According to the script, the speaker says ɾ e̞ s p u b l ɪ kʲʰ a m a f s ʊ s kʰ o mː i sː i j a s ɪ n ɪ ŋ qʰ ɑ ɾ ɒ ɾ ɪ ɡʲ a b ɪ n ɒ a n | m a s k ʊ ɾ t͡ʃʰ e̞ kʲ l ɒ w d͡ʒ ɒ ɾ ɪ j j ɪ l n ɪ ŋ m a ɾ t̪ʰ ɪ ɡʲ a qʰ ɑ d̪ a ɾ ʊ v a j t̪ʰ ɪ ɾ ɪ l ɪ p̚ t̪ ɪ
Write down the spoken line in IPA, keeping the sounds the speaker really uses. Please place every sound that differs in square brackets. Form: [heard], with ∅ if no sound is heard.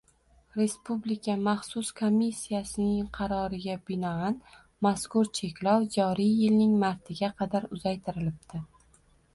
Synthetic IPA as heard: ɾ e̞ s p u b l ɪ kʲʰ a m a [χ] s ʊ s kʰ o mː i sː i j a s ɪ n ɪ ŋ qʰ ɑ ɾ ɒ ɾ ɪ ɡʲ a b ɪ n ɒ a n | m a s k ʊ ɾ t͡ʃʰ e̞ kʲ l ɒ w d͡ʒ ɒ ɾ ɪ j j ɪ l n ɪ ŋ m a ɾ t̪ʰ ɪ ɡʲ a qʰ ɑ d̪ a ɾ ʊ [z] a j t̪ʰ ɪ ɾ ɪ l ɪ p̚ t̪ ɪ